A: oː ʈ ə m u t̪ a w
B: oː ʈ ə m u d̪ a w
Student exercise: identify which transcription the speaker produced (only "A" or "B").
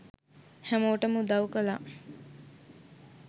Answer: B